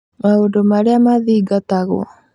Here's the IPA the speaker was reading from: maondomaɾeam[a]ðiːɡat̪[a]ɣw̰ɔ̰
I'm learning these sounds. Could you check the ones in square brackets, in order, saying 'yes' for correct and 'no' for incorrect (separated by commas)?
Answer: yes, yes